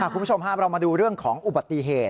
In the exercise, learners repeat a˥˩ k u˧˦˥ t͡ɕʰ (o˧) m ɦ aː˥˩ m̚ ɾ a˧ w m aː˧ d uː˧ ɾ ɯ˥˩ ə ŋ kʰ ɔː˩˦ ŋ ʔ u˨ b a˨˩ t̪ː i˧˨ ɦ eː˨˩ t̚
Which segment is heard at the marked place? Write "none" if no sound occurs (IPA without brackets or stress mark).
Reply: o˧